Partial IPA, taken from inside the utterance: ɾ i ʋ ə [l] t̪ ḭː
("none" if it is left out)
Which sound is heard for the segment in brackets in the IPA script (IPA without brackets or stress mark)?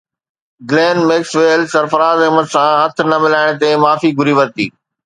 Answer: ɾ